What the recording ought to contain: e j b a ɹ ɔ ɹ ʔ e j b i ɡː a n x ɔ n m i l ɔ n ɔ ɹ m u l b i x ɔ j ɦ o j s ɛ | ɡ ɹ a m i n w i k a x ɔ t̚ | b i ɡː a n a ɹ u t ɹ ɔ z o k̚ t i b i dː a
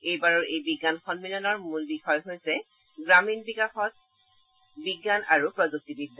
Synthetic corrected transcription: e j b a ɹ ɔ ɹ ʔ e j b i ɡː a n x ɔ n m i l ɔ n ɔ ɹ m u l b i x ɔ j ɦ o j s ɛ | ɡ ɹ a m i n b i k a x ɔ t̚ | b i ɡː a n a ɹ u p ɹ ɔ z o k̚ t i b i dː a